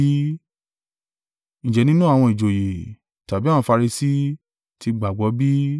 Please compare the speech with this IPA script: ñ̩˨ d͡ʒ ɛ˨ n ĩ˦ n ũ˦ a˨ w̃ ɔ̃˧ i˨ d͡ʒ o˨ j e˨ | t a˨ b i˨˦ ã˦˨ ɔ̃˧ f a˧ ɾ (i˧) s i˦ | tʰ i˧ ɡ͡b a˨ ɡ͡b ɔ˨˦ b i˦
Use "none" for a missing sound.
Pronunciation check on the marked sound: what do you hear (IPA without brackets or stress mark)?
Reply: i˧